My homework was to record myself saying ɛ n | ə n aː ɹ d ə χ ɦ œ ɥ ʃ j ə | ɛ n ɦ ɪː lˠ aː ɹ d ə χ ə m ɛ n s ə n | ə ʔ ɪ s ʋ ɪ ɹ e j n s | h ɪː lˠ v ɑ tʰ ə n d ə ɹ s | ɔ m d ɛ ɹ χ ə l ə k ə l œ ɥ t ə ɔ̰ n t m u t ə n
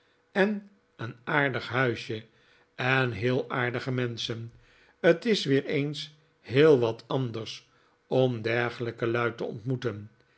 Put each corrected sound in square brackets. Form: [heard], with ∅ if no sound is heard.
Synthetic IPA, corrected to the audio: ɛ n | ə n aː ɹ d ə χ ɦ œ ɥ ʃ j ə | ɛ n ɦ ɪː lˠ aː ɹ d ə χ ə m ɛ n s ə n | ə [t] ɪ s ʋ [ɪː] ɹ e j n s | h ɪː lˠ [ʋ] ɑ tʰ [ɑ] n d ə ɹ s | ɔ m d ɛ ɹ χ ə l ə k ə l œ ɥ t ə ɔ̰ n t m u t ə n